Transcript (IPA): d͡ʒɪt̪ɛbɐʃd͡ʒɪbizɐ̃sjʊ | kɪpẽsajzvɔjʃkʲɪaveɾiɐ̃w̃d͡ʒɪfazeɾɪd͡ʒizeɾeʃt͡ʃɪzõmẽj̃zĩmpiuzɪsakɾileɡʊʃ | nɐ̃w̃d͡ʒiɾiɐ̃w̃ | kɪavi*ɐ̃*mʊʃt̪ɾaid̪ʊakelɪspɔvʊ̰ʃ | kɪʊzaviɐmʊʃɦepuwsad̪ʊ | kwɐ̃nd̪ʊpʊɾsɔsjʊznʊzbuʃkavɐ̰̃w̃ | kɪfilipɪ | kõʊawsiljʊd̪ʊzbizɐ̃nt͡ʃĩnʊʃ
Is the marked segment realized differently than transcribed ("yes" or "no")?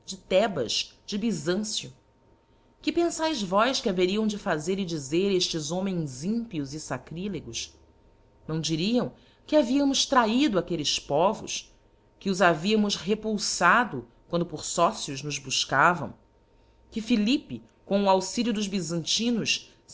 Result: yes